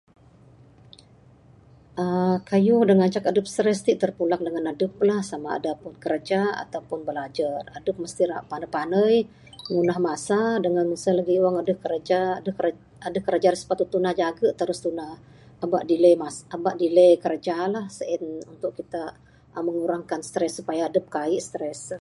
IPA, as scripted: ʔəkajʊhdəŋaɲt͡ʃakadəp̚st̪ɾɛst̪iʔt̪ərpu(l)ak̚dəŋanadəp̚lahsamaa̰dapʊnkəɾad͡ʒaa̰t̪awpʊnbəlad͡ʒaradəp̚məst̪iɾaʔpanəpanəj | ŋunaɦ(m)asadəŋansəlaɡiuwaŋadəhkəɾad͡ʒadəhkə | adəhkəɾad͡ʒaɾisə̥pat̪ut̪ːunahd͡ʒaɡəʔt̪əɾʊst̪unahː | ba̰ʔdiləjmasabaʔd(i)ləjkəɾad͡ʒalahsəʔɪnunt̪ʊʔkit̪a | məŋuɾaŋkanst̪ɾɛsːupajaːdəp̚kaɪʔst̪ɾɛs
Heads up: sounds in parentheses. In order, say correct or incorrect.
correct, correct, correct

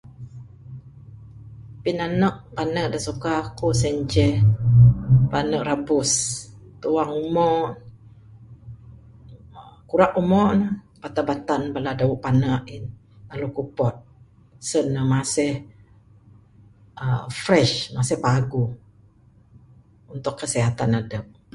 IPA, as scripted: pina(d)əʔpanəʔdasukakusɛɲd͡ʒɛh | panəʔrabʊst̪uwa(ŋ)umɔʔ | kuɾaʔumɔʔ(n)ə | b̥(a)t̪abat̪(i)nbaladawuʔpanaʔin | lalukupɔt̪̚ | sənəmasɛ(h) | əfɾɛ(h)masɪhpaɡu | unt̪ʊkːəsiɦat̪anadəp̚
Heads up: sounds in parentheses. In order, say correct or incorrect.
incorrect: n, correct, correct, correct, incorrect: a, correct, incorrect: ʃ

